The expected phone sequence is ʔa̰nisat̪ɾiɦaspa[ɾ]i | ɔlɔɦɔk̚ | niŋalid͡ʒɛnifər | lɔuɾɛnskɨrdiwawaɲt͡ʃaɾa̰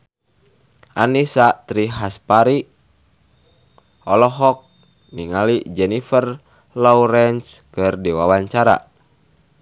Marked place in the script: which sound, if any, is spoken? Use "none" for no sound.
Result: ɾ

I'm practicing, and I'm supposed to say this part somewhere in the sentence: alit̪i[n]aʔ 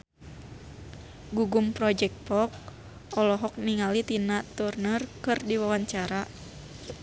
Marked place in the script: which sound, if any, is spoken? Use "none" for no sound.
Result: n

